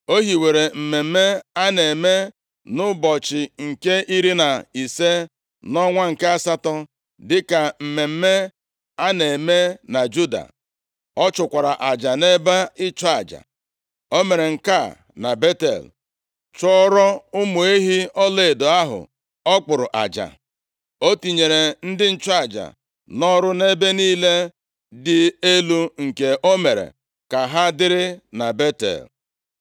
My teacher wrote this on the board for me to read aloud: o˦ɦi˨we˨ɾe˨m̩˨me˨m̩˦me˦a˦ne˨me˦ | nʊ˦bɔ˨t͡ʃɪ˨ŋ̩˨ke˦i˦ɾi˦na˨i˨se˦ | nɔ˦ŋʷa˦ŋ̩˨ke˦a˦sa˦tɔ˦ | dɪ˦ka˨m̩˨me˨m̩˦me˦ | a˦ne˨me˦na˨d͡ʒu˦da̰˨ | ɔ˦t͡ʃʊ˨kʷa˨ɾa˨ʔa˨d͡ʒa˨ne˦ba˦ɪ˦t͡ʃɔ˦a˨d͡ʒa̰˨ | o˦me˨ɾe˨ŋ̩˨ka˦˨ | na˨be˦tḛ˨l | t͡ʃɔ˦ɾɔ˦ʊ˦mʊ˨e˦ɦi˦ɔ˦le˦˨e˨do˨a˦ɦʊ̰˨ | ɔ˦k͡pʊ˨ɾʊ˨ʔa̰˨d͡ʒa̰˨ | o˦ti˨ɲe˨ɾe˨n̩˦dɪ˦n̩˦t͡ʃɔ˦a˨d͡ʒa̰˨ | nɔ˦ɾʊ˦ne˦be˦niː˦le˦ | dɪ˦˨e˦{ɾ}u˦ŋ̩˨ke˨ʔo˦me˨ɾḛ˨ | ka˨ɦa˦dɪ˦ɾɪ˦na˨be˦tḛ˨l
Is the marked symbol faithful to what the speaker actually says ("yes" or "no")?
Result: no